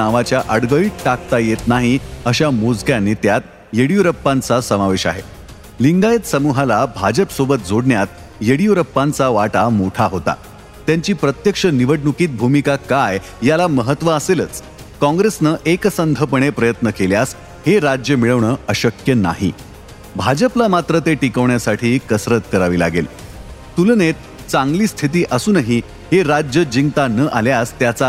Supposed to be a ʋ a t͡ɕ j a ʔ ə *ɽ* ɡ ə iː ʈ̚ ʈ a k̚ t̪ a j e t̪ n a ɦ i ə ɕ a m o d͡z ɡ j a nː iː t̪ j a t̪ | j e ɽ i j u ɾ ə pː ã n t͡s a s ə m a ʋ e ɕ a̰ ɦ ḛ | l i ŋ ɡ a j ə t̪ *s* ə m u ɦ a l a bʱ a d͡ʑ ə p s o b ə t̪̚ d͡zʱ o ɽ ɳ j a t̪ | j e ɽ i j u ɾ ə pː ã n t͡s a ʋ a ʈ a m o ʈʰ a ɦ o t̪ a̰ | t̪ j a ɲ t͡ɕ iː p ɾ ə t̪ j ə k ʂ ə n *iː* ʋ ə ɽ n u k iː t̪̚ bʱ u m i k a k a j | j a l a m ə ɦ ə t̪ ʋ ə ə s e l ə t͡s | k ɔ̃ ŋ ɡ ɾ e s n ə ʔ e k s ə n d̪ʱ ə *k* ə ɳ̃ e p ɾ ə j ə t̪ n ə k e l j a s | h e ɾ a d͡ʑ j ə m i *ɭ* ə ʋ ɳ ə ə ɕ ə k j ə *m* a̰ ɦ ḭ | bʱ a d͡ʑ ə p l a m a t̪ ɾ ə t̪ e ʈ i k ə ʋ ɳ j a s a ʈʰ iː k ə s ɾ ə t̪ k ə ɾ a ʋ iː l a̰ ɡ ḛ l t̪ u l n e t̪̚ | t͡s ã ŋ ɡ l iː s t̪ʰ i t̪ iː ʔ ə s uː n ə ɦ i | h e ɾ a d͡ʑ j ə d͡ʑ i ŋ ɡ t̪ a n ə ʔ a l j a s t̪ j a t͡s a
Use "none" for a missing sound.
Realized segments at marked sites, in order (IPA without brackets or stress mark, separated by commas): ɽ, s, i, p, ɭ, n